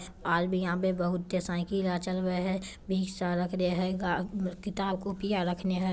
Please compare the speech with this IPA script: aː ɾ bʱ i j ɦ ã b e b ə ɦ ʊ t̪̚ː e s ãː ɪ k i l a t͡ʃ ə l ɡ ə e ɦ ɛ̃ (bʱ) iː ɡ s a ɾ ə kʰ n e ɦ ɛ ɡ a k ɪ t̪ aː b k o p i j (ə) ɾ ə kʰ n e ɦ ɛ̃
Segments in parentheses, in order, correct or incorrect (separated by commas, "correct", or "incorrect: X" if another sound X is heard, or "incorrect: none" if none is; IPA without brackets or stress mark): correct, incorrect: a